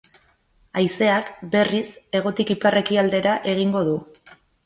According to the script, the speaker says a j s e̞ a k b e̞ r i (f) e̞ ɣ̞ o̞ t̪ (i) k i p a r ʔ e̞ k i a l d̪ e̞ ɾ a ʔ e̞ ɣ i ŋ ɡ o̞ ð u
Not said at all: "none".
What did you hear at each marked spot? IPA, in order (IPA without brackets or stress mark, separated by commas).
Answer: s, i